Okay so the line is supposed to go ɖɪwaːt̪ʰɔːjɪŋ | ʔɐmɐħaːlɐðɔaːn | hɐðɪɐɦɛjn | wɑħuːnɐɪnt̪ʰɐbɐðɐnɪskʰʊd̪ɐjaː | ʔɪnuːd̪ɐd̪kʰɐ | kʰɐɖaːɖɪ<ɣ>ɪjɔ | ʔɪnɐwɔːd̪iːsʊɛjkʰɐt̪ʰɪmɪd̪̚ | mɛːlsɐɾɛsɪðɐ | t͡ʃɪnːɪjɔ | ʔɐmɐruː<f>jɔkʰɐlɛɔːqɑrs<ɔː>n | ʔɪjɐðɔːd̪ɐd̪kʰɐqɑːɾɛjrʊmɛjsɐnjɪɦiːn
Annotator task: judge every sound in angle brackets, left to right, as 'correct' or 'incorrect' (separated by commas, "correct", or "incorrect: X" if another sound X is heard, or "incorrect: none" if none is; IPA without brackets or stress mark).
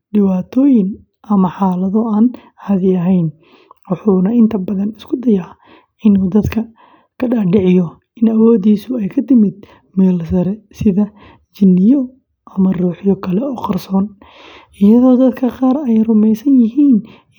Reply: incorrect: ʕ, incorrect: ħ, correct